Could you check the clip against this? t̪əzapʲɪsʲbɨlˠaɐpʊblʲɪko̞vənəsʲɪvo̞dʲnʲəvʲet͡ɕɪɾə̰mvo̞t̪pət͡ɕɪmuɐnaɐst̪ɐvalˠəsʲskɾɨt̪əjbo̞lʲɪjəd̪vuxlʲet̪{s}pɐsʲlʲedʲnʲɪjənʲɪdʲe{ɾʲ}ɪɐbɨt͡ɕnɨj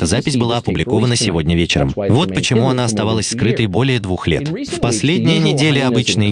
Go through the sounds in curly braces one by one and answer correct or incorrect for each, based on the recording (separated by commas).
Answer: incorrect, incorrect